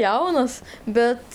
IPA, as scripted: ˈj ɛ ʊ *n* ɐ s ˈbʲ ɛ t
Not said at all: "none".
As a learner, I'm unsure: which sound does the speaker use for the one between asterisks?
n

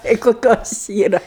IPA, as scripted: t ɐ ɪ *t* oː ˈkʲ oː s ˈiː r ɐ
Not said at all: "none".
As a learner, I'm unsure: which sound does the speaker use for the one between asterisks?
k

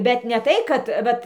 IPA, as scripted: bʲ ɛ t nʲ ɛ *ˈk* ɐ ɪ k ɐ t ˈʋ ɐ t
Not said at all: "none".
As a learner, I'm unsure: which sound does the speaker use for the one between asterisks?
t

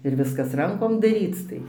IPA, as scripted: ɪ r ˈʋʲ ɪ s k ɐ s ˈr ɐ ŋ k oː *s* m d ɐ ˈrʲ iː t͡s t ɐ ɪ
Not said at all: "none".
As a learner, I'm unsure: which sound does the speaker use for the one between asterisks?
none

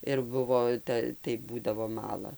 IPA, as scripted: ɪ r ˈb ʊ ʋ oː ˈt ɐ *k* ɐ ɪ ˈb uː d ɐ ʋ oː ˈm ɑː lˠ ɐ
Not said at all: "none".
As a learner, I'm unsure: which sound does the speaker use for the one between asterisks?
t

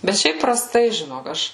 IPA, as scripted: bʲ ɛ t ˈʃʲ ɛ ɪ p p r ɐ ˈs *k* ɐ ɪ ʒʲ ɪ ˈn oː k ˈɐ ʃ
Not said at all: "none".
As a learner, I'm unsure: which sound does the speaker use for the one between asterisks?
t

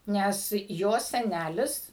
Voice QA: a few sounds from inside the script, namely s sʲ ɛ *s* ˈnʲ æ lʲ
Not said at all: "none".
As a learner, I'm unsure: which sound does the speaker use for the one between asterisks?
none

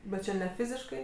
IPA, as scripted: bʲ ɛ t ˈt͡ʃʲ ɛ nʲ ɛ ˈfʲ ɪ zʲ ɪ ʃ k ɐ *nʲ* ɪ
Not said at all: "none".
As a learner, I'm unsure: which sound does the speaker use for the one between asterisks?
none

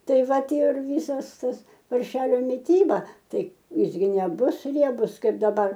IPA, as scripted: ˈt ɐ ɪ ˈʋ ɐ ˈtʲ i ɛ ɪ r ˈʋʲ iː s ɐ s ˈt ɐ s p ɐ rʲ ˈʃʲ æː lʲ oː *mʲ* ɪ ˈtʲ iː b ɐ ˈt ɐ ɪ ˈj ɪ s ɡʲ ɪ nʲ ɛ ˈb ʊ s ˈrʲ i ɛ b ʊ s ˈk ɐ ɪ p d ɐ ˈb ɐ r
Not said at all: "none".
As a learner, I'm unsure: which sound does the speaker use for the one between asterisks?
mʲ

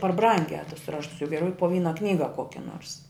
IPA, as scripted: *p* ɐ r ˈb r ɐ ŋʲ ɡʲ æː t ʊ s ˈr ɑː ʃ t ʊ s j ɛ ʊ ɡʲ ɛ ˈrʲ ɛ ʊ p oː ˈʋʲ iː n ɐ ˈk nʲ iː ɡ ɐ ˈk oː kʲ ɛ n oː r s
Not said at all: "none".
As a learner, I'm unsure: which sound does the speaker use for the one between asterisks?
p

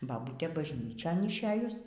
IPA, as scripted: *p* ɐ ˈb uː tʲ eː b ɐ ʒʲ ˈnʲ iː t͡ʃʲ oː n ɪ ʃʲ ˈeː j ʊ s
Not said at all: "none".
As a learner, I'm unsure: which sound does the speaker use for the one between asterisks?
b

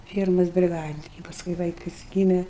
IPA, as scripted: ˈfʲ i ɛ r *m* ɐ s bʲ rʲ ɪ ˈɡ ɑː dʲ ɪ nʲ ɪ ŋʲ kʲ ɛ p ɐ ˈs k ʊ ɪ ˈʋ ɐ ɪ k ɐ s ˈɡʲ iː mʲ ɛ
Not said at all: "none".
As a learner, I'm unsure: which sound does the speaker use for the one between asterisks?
m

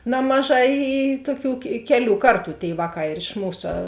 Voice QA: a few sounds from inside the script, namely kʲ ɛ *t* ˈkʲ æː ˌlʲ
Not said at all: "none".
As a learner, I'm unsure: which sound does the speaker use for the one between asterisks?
none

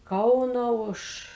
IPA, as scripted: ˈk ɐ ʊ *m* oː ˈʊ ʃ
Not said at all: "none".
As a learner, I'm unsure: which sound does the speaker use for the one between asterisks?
n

